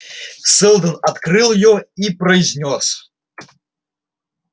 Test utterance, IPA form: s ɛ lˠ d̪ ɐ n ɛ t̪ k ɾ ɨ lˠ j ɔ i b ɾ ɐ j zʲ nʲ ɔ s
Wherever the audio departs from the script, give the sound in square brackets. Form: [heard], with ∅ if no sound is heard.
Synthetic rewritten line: s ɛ lˠ d̪ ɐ n [a] t̪ k ɾ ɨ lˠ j ɔ i [p] ɾ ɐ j zʲ nʲ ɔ s